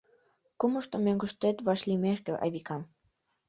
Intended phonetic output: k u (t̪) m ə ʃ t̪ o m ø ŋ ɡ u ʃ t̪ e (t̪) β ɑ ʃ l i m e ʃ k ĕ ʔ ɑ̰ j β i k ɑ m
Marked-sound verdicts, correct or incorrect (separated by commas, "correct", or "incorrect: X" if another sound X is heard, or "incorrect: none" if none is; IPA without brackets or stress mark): incorrect: none, correct